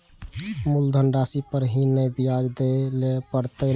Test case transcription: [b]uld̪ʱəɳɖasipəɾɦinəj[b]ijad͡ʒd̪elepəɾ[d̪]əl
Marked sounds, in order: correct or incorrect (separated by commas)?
incorrect, correct, incorrect